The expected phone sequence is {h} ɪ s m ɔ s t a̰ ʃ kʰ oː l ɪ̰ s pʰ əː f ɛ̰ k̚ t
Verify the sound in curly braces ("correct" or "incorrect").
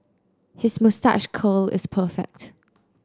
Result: correct